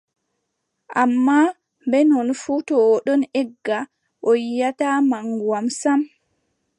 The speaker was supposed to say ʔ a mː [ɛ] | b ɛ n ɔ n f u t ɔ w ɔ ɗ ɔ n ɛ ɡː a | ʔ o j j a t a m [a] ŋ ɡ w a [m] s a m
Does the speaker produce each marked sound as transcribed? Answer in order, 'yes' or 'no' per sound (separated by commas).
no, yes, yes